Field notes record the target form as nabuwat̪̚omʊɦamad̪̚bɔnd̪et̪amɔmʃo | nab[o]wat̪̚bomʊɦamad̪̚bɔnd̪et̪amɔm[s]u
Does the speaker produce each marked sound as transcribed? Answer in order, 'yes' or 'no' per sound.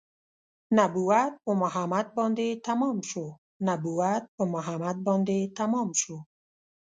no, no

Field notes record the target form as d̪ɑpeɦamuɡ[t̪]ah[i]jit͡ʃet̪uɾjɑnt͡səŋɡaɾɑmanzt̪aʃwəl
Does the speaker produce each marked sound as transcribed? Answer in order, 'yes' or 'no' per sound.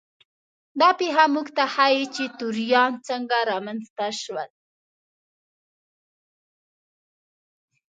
yes, no

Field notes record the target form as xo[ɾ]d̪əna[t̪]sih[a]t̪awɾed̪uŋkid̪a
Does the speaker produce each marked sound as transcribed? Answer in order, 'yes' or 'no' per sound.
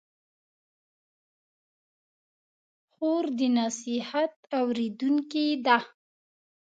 yes, no, yes

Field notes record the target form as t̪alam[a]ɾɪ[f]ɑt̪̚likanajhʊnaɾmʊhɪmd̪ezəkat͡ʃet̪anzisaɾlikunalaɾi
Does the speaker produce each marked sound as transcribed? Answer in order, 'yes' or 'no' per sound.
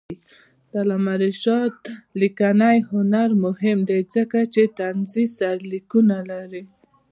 yes, no

